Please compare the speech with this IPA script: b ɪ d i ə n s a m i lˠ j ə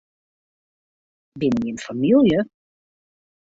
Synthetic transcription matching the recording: b ɪ n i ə n f a m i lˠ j ə